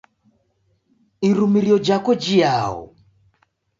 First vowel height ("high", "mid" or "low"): high